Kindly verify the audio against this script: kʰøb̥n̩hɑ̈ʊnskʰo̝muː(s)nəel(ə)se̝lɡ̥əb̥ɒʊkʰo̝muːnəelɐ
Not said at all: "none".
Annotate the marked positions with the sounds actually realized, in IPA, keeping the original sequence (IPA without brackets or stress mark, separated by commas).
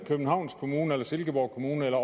none, ɐ